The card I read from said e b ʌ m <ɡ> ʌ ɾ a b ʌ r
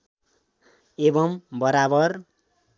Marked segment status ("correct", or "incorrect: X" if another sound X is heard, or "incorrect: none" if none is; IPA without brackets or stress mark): incorrect: b